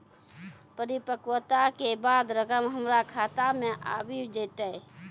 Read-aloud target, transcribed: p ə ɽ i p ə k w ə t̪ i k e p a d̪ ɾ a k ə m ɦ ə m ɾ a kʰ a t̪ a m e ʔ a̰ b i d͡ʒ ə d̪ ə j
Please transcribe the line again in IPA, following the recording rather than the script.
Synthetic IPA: p ə ɾ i p ə k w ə t̪ a k e b a d̪ ɾ ə k ə m ɦ ə m ɾ a kʰ a t̪ a m e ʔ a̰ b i d͡ʒ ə t̪ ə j